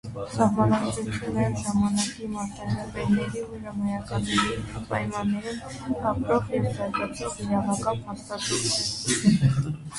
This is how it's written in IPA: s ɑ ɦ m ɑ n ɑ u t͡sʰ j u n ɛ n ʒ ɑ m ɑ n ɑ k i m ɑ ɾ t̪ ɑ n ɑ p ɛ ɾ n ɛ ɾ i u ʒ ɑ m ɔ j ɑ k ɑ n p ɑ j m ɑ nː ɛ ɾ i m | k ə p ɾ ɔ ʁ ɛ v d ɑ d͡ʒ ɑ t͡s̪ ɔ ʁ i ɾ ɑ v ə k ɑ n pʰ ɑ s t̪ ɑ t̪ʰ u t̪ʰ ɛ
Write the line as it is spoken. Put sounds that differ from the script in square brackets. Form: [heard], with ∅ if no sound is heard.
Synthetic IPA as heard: s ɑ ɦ m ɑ n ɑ u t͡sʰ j u n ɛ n ʒ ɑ m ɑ n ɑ k i m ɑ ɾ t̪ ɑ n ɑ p ɛ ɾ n ɛ ɾ i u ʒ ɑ m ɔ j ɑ k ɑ n p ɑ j m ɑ nː ɛ ɾ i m | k [ɑ] p ɾ ɔ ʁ ɛ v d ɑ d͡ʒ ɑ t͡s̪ ɔ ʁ i ɾ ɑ v [ɑ] k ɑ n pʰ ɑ s t̪ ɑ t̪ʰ u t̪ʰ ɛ